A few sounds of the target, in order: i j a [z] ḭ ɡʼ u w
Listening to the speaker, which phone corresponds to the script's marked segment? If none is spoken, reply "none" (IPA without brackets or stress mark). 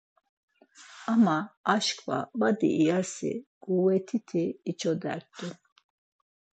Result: s